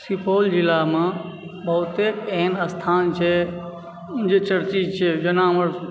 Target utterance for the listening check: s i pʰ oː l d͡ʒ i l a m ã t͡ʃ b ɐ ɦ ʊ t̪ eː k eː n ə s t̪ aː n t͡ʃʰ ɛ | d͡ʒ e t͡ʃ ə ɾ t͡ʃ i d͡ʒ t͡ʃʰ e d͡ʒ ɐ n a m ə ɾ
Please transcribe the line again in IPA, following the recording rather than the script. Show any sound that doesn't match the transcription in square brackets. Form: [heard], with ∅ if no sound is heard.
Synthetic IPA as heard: s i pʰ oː l d͡ʒ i l a m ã [∅] b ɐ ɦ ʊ t̪ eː k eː n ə s [t̪ʰ] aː n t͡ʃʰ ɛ | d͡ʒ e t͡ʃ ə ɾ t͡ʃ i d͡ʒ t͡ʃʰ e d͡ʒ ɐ n a m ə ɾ